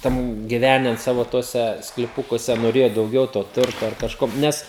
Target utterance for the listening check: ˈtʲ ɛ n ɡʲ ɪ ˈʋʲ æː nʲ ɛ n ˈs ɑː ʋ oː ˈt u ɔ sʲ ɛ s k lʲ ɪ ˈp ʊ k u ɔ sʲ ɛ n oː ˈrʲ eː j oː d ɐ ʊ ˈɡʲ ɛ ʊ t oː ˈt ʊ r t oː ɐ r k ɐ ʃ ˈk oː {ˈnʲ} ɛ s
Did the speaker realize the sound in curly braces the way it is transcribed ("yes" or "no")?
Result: yes